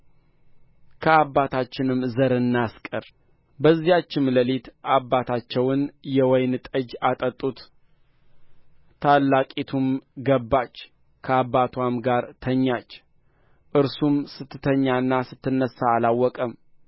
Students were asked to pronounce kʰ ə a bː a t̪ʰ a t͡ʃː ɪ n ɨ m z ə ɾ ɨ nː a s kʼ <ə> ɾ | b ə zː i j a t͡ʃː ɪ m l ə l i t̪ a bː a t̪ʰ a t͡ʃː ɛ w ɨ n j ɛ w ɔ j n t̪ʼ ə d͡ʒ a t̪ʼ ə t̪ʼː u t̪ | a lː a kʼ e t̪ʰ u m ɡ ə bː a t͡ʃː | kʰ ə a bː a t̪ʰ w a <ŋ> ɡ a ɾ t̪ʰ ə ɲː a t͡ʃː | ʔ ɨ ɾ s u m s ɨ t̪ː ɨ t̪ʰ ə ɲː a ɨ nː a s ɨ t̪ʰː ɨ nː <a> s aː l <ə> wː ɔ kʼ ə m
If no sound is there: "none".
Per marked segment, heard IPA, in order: ə, m, ə, a

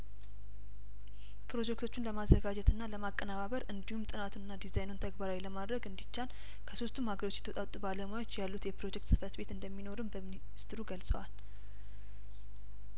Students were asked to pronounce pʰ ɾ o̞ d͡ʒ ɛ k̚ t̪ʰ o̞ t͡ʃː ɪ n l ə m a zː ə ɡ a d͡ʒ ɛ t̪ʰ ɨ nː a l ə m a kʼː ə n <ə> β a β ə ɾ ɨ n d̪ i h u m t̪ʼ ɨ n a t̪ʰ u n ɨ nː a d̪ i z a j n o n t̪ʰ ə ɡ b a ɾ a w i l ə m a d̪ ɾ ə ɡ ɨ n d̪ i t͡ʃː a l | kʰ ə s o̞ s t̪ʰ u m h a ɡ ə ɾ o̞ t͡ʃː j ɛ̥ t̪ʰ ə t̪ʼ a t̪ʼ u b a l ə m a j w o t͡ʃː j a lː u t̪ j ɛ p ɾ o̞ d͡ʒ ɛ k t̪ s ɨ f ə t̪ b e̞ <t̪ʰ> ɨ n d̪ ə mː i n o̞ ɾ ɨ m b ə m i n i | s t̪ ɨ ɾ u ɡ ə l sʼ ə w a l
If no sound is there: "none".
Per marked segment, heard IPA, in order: a, t̪

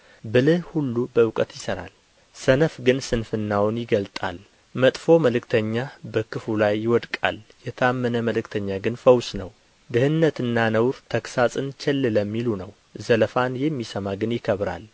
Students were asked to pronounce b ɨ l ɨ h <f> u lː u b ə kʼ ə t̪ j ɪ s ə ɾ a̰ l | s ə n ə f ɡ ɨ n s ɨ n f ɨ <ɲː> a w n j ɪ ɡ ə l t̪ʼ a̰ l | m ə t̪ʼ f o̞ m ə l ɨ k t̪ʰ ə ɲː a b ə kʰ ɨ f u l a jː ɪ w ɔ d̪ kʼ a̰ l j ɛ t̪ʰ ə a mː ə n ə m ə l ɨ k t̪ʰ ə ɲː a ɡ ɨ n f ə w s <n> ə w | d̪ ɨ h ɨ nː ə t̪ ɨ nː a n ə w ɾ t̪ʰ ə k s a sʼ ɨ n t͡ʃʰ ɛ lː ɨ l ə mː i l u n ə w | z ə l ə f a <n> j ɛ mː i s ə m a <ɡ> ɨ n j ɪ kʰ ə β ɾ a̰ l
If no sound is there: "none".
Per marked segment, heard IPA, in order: h, nː, n, n, ɡ

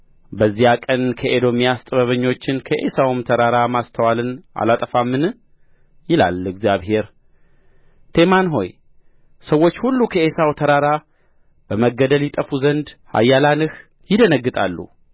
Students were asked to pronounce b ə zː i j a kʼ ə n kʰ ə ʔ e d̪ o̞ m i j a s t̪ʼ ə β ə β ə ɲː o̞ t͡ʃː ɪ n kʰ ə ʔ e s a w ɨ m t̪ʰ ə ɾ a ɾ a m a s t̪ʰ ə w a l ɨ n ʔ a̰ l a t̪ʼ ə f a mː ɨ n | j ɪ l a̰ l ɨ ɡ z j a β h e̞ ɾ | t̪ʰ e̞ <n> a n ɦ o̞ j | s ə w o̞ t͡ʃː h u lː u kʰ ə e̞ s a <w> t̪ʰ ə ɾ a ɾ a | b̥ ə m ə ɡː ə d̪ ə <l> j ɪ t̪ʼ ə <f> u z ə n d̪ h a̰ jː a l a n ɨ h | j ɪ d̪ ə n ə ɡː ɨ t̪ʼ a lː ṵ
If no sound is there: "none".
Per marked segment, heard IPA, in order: m, w, l, f

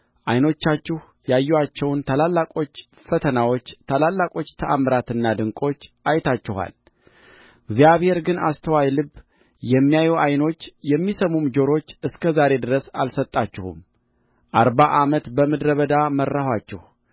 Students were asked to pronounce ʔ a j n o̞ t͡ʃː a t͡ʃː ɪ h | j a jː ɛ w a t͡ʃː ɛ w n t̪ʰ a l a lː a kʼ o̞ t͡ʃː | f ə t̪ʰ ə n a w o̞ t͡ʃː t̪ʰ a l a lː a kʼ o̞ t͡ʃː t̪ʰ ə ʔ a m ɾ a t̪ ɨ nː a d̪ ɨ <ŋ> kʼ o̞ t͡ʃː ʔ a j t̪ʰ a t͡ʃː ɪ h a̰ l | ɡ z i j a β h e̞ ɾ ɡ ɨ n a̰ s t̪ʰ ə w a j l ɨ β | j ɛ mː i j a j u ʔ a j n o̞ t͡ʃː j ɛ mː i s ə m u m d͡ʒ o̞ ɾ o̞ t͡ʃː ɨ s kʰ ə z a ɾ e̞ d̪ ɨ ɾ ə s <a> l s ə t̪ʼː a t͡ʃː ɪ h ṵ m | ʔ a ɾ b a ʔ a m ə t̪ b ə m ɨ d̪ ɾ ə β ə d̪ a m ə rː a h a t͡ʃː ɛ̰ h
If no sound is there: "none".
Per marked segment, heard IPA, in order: ŋ, a

